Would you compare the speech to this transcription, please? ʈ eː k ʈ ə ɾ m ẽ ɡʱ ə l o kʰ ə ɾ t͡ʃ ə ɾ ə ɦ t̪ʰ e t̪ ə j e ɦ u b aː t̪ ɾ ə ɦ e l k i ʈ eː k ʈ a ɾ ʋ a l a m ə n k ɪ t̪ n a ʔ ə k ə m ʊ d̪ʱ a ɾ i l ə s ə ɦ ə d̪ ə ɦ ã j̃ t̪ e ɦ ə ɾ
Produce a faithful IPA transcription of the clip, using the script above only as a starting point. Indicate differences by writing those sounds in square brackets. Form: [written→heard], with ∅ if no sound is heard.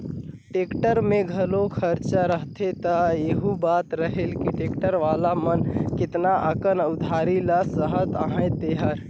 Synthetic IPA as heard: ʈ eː k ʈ ə ɾ m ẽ ɡʱ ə l o kʰ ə ɾ t͡ʃ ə ɾ ə ɦ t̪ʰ e t̪ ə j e ɦ u b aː t̪ ɾ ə ɦ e l k i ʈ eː k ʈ [a→ə] ɾ ʋ a l a m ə n k ɪ t̪ n a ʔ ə k ə [m→n] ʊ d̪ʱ a ɾ i l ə s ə ɦ ə [d̪→t̪] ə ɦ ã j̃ t̪ e ɦ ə ɾ